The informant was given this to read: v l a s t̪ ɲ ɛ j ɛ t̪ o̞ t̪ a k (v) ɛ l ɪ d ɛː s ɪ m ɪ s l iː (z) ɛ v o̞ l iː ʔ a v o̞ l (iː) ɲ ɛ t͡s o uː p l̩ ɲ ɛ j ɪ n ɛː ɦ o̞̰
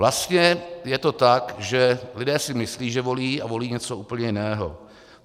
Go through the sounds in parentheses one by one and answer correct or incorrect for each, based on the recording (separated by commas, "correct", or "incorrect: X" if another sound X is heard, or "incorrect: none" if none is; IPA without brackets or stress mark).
incorrect: ʒ, incorrect: ʒ, correct